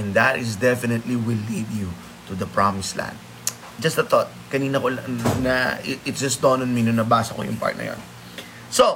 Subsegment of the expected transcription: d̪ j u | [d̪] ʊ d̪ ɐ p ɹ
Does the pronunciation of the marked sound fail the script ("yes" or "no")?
yes